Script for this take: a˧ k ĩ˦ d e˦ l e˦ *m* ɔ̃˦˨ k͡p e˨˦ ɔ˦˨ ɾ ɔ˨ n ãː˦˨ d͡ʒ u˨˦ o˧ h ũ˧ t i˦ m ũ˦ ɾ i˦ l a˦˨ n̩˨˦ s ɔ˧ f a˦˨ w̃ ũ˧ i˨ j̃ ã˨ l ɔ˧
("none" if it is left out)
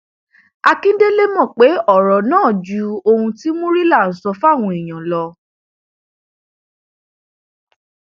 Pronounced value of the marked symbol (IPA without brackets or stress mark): m